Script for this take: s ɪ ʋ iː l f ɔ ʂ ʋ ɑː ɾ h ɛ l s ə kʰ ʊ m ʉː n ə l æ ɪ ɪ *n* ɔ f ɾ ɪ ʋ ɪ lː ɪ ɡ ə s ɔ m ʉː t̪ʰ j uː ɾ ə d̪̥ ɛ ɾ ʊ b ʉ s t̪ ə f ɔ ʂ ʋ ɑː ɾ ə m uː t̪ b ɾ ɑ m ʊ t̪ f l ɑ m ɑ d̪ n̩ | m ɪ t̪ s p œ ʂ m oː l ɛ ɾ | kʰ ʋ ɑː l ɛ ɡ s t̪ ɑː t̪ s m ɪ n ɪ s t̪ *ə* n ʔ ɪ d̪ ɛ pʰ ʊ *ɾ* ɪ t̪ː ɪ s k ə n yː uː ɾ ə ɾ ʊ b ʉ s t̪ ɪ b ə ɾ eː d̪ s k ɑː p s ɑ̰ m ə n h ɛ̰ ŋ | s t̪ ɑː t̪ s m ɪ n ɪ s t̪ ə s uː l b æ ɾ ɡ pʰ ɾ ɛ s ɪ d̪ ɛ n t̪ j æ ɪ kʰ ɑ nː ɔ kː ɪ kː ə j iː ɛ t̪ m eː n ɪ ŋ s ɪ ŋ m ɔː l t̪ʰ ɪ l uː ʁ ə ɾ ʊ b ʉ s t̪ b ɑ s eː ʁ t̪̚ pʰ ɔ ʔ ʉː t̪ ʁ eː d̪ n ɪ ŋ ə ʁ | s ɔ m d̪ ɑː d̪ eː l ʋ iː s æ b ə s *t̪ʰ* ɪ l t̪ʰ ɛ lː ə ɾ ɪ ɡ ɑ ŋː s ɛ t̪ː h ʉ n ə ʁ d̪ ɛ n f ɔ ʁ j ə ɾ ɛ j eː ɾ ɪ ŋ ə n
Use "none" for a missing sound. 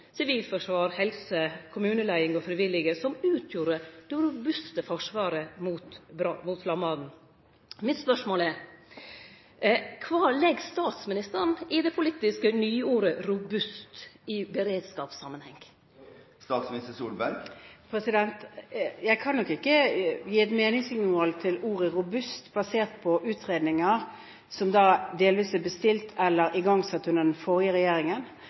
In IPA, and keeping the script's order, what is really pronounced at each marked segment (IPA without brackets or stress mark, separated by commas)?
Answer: ŋ, ə, l, t̪